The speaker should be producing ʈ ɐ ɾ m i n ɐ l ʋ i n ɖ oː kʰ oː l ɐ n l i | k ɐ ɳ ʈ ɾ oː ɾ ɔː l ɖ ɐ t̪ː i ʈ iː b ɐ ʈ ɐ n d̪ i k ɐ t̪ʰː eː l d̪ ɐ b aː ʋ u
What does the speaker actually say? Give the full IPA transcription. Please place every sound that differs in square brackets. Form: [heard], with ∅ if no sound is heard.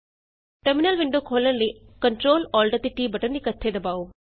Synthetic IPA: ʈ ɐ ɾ m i n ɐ l ʋ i [ɳ] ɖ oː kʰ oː l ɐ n l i | k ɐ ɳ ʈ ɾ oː [l] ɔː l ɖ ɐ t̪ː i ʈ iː b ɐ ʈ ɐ n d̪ i k ɐ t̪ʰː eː [∅] d̪ ɐ b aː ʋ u